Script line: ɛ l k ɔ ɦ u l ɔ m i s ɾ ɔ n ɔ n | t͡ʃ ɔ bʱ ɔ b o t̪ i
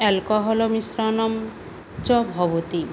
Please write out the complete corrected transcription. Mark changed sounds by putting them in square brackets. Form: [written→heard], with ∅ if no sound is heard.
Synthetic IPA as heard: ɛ l k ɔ ɦ [u→ɔ] l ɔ m i s ɾ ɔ n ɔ [n→m] | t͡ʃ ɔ bʱ ɔ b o t̪ i